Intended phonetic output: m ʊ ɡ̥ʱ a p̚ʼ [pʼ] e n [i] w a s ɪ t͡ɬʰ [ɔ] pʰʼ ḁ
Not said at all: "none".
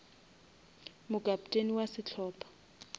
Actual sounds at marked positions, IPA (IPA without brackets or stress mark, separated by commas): tʼ, i, ɔː